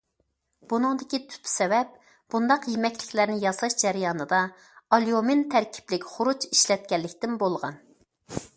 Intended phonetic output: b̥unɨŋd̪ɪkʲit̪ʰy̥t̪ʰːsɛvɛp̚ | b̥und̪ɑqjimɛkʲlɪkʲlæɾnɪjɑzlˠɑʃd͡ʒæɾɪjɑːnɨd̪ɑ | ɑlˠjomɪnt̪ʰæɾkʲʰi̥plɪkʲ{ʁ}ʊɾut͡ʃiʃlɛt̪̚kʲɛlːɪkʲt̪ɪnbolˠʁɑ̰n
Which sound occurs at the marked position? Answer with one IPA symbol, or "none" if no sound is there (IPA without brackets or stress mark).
χ